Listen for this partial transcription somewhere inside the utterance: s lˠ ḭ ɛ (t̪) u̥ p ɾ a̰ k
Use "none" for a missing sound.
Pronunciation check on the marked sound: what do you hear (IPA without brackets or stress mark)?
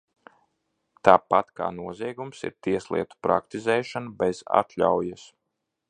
t̪